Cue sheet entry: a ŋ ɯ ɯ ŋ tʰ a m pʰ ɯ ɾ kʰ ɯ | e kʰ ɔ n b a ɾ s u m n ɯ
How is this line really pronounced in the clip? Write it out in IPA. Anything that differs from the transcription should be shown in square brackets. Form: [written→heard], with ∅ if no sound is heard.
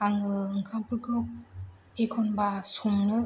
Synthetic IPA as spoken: a ŋ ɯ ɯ ŋ [tʰ→kʰ] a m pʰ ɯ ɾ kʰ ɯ | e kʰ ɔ n b a [ɾ→∅] s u m n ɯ